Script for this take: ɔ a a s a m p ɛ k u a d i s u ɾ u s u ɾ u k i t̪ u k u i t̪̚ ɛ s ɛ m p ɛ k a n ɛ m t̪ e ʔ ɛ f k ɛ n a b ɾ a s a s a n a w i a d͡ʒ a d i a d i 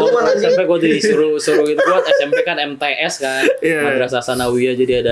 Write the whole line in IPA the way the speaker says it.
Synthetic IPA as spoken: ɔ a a s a m p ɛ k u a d i s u ɾ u s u ɾ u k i t̪ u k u a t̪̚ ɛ s ɛ m p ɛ k a n ɛ m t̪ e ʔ ɛ s k a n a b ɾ a s a s a n a w i a d͡ʒ a d i a d a